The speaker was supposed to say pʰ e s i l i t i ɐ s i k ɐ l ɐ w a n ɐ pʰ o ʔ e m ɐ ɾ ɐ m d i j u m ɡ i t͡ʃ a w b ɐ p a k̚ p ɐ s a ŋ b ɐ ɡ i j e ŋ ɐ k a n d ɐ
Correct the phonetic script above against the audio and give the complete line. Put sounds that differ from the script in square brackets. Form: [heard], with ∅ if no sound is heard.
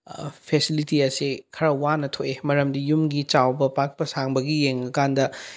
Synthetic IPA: pʰ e s i l i t i ɐ s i [kʰ] ɐ [ɾ] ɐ w a n ɐ [tʰ] o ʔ e m ɐ ɾ ɐ m d i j u m ɡ i t͡ʃ a w b ɐ p a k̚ p ɐ s a ŋ b ɐ ɡ i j e ŋ ɐ k a n d ɐ